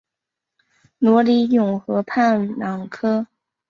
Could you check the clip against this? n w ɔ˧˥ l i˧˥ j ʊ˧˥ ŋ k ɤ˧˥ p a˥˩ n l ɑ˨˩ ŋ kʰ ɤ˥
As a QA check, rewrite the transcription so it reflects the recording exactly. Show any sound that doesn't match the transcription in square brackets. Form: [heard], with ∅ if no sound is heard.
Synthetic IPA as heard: n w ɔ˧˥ l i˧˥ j [ʊ˨˩] ŋ [x] ɤ˧˥ [pʰ] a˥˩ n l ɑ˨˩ ŋ kʰ ɤ˥